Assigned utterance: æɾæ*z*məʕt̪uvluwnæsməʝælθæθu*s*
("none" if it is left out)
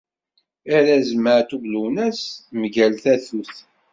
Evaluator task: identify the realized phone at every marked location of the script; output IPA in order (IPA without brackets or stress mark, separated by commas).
z, θ